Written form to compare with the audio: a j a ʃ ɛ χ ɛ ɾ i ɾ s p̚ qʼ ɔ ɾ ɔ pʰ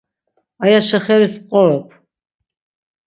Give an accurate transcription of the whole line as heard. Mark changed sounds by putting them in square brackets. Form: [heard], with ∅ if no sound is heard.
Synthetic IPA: a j a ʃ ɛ χ ɛ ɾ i [∅] s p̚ qʼ ɔ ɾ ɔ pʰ